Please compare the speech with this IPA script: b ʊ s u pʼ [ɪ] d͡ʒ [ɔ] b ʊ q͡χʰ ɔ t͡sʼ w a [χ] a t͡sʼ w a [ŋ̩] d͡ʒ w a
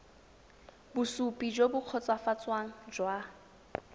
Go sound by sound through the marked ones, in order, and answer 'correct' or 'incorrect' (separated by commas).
incorrect, incorrect, incorrect, correct